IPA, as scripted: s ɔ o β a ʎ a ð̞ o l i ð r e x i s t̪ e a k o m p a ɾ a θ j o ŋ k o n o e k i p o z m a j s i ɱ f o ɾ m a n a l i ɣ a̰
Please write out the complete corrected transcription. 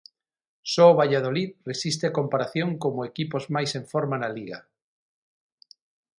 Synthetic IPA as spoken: s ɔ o β a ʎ a ð̞ o l i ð r e s i s t̪ e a k o m p a ɾ a θ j o ŋ k o m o e k i p o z m a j s e ɱ f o ɾ m a n a l i ɣ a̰